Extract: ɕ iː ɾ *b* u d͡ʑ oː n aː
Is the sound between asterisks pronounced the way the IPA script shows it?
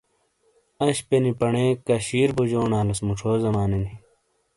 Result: yes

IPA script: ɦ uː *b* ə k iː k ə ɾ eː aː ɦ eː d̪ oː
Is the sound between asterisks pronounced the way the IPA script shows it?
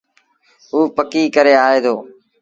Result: no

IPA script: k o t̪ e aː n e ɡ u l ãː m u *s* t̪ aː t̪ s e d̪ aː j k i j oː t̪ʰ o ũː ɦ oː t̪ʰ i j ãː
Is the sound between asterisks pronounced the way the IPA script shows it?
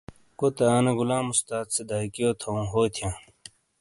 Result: yes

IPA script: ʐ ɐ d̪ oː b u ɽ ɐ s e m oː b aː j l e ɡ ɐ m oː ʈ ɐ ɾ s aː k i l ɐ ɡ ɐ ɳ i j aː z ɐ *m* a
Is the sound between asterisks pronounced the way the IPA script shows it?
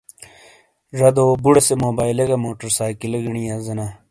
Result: no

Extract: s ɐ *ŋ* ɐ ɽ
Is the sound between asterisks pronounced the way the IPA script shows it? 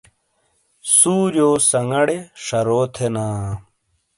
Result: yes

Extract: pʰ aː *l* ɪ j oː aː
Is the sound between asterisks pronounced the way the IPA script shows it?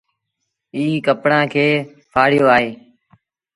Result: no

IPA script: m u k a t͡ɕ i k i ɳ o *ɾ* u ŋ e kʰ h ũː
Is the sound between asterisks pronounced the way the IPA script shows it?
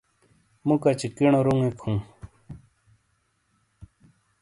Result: yes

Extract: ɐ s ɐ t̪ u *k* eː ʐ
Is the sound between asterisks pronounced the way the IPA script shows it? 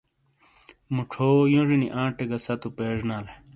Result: no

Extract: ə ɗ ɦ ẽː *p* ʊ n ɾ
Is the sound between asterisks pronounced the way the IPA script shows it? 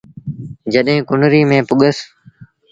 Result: no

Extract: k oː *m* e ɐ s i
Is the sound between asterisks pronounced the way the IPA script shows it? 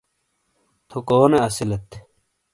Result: no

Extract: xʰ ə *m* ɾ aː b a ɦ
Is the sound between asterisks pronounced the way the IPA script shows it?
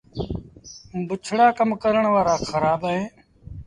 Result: no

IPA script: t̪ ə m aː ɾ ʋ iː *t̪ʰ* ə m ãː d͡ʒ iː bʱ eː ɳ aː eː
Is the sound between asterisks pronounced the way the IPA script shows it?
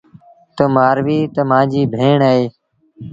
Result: no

